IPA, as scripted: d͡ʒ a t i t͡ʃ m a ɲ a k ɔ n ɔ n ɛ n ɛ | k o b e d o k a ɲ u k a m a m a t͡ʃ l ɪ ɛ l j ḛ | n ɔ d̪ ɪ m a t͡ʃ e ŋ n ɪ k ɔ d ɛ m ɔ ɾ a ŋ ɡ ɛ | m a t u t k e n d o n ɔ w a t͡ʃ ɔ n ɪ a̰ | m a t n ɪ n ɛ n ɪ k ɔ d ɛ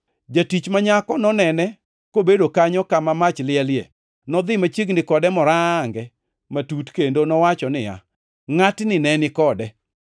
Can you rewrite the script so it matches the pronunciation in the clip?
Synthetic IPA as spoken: d͡ʒ a t i t͡ʃ m a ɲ a k ɔ n ɔ n ɛ n ɛ | k o b e d o k a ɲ ɔ k a m a m a t͡ʃ l ɪ ɛ l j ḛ | n ɔ d̪ ɪ m a t͡ʃ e ɡ n ɪ k ɔ d ɛ m ɔ ɾ a ŋ ɡ ɛ | m a t u t k e n d o n ɔ w a t͡ʃ ɔ n ɪ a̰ | ŋ a t n ɪ n ɛ n ɪ k ɔ d ɛ

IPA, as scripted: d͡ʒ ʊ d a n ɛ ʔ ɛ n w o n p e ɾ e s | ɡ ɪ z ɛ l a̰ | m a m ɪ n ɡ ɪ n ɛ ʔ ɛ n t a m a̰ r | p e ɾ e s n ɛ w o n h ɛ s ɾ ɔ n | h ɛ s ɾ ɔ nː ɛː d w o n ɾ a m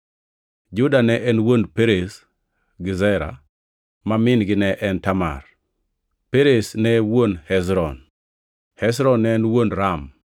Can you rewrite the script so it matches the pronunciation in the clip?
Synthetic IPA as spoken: d͡ʒ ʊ d a n ɛ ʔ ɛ n w o n p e ɾ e s | ɡ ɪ z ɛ ɾ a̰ | m a m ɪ n ɡ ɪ n ɛ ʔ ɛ n t a m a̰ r | p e ɾ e s n ɛ w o n h ɛ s ɾ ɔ n | h ɛ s ɾ ɔ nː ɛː n w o n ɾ a m

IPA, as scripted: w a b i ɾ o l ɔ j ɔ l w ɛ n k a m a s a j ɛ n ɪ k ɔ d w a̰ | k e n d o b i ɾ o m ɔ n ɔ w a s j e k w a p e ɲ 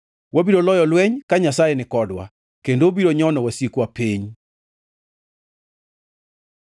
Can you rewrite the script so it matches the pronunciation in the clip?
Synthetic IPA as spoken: w a b i ɾ o l ɔ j ɔ l w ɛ ɲ k a ɲ a s a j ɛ n ɪ k ɔ d w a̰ | k e n d o b i ɾ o ɲ ɔ n ɔ w a s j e k w a p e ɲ

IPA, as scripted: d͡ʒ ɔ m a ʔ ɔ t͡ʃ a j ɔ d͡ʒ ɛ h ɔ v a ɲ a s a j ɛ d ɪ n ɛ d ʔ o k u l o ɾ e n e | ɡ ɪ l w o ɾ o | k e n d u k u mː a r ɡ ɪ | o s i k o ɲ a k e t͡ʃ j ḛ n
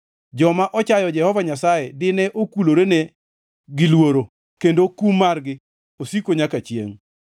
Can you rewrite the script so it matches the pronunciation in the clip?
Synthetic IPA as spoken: d͡ʒ ɔ m a ʔ ɔ t͡ʃ a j ɔ d͡ʒ ɛ h ɔ v a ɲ a s a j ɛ d ɪ n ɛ ʔ o k u l o ɾ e n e | ɡ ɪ l w o ɾ o | k e n d o k u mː a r ɡ ɪ | o s i k o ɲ a k a t͡ʃ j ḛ ŋ

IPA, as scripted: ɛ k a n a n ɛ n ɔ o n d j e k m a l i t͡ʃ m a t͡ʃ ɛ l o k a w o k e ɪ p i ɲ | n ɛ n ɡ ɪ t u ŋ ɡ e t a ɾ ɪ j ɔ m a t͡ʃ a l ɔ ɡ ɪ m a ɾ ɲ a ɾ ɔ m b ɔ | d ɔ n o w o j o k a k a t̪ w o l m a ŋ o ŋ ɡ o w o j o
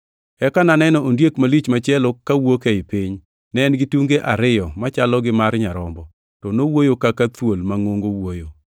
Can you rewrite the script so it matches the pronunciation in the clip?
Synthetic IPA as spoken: ɛ k a n a n ɛ n ɔ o n d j e k m a l i t͡ʃ m a t͡ʃ ɛ l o k a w o k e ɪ p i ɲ | n ɛ n ɡ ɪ t u ŋ ɡ e ʔ a ɾ ɪ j ɔ m a t͡ʃ a l ɔ ɡ ɪ m a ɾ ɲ a ɾ ɔ m b ɔ | t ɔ n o w o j o k a k a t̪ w o l m a ŋ o ŋ ɡ o w o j o

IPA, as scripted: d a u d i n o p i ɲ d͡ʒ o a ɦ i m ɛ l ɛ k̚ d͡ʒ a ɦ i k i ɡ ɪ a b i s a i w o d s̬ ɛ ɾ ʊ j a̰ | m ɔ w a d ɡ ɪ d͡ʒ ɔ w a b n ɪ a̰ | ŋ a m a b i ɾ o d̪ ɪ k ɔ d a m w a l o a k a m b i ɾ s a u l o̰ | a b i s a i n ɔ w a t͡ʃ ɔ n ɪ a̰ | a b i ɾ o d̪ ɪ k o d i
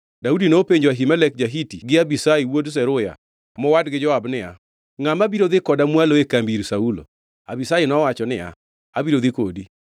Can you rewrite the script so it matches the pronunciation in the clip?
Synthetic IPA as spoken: d a u d i n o p e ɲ d͡ʒ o a ɦ i m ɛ l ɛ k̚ d͡ʒ a ɦ i t i ɡ ɪ a b i s a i w o d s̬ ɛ ɾ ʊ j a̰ | m ɔ w a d ɡ ɪ d͡ʒ ɔ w a b n ɪ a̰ | ŋ a m a b i ɾ o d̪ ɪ k ɔ d a m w a l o e k a m b i ɾ s a u l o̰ | a b i s a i n ɔ w a t͡ʃ ɔ n ɪ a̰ | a b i ɾ o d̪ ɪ k o d i

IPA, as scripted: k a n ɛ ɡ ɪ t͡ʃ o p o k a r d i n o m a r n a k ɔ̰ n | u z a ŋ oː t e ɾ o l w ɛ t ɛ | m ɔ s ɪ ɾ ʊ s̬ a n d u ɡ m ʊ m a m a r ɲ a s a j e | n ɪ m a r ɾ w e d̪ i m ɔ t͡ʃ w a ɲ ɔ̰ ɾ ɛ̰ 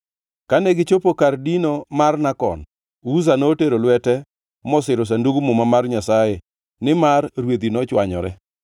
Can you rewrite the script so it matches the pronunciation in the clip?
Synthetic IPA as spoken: k a n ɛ ɡ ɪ t͡ʃ o p o k a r d i n o m a r n a k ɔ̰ n | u z a n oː t e ɾ o l w ɛ t ɛ | m ɔ s ɪ ɾ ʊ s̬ a n d u ɡ m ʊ m a m a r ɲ a s a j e | n ɪ m a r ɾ w e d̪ i n ɔ t͡ʃ w a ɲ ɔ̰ ɾ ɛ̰

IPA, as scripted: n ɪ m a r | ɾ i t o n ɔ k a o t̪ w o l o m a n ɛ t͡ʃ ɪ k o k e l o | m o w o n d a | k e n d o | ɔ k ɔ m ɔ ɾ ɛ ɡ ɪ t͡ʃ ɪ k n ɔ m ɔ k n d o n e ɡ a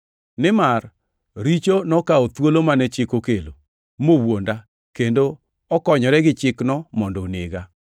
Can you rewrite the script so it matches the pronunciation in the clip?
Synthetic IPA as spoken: n ɪ m a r | ɾ i t͡ʃ o n ɔ k a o t̪ w o l o m a n ɛ t͡ʃ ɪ k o k e l o | m o w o n d a | k e n d o | ɔ k ɔ ɲ ɔ ɾ ɛ ɡ ɪ t͡ʃ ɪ k n ɔ m ɔ n d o n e ɡ a

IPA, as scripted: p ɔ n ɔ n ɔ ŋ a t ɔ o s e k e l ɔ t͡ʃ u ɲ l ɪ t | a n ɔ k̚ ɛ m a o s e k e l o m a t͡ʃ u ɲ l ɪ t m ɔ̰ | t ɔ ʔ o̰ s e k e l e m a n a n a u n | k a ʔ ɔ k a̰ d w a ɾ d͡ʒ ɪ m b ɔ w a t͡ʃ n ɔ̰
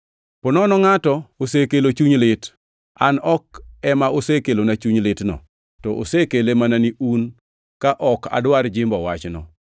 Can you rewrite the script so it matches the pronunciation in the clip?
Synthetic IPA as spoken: p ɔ n ɔ n ɔ ŋ a t ɔ o s e k e l o t͡ʃ u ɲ l ɪ t | a n ɔ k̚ ɛ m a o s e k e l o n a t͡ʃ u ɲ l ɪ t n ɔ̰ | t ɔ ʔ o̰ s e k e l e m a n a n i u n | k a ʔ ɔ k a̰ d w a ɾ d͡ʒ ɪ m b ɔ w a t͡ʃ n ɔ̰

